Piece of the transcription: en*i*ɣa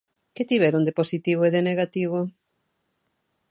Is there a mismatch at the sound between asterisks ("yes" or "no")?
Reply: yes